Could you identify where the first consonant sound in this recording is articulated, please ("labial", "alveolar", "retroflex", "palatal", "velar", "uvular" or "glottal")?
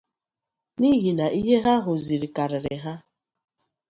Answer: alveolar